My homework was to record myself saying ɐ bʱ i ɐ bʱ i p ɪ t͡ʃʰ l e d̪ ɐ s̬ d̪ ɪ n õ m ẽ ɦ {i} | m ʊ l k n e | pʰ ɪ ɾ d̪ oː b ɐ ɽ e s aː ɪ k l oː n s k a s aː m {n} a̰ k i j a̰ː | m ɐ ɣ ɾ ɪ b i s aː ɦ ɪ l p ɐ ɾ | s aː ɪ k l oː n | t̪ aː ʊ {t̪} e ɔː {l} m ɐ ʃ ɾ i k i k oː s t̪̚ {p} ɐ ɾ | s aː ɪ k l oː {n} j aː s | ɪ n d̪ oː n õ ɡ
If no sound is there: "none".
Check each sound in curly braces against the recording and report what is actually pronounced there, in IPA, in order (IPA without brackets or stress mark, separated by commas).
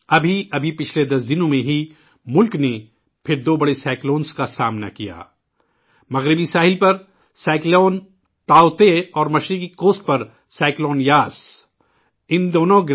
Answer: i, n, t̪, ɾ, p, n